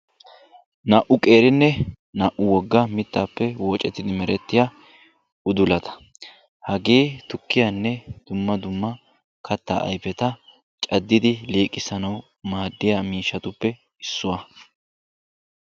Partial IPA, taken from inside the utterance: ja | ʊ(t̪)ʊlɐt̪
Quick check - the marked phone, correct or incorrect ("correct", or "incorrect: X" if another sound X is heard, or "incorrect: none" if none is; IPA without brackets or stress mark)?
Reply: incorrect: d̪